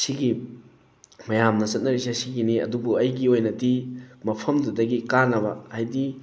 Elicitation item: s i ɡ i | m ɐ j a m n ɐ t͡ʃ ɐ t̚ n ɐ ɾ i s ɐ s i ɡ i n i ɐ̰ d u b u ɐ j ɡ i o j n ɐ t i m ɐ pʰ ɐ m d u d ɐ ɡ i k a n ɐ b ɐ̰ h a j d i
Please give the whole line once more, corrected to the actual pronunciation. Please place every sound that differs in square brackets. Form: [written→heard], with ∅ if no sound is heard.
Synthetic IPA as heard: s i ɡ i | m ɐ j a m n ɐ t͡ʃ ɐ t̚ n ɐ ɾ i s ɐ s i ɡ i n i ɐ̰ d u b u ɐ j ɡ i o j n ɐ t i m ɐ pʰ ɐ m d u d ɐ ɡ i k a n ɐ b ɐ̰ h a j d i